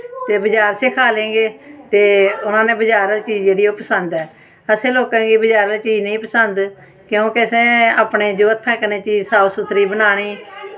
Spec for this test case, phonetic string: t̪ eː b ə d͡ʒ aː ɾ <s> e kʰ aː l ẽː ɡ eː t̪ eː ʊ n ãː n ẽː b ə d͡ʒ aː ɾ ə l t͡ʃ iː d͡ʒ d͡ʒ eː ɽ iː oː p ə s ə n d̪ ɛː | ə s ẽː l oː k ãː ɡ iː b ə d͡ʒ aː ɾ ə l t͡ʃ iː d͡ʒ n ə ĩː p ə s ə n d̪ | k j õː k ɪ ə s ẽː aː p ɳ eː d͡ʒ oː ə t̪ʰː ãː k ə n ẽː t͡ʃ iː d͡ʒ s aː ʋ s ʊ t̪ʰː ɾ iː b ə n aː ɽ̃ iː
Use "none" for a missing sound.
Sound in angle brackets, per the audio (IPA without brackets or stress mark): s